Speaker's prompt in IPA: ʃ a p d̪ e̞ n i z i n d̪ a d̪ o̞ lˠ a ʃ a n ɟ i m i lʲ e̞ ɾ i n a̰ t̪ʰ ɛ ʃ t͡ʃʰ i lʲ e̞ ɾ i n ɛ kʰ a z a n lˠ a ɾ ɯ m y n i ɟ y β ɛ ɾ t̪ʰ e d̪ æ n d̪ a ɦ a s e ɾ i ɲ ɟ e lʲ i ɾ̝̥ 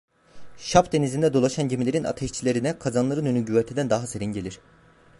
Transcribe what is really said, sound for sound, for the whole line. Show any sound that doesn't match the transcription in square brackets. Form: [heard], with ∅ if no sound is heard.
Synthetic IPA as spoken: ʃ a p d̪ e̞ n i z i n d̪ [ɛ] d̪ o̞ lˠ a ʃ a n ɟ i m i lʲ e̞ ɾ i n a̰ t̪ʰ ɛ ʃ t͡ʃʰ i lʲ e̞ ɾ i n ɛ kʰ a z a n lˠ a ɾ ɯ [n] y n [y] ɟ y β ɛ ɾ t̪ʰ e d̪ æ n d̪ a ɦ a s e ɾ i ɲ ɟ e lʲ i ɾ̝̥